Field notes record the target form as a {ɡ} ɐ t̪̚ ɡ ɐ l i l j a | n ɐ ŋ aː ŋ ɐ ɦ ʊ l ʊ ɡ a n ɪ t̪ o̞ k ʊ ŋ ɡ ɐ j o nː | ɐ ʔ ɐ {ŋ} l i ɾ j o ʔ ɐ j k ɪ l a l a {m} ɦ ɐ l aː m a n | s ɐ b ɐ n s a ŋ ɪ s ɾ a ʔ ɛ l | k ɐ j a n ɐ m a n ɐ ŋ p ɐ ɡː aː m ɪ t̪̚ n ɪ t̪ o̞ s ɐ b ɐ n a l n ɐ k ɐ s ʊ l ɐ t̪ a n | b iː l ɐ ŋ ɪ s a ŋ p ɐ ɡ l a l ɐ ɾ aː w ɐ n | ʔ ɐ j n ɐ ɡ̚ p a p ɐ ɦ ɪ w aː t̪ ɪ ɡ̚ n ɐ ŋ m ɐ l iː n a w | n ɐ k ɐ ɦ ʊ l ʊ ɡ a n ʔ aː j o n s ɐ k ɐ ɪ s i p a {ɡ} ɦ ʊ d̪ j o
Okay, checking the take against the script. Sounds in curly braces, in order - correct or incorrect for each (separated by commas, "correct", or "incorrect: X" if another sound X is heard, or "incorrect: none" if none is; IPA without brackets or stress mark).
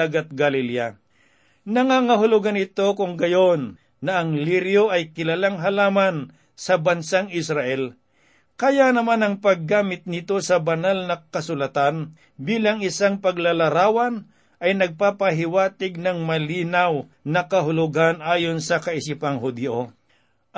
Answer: correct, correct, incorrect: ŋ, incorrect: ŋ